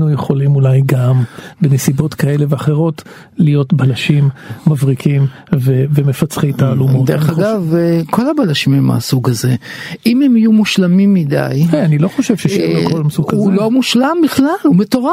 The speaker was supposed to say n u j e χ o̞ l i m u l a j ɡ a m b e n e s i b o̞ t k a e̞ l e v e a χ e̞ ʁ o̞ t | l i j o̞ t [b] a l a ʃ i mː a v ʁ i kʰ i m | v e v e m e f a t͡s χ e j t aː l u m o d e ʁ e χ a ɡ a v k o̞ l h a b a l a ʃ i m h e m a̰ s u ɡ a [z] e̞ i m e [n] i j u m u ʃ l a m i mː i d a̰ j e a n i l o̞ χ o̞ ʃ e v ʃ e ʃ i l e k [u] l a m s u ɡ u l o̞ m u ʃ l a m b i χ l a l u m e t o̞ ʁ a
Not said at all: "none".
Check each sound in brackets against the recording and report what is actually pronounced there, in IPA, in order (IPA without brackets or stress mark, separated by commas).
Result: b, z, m, o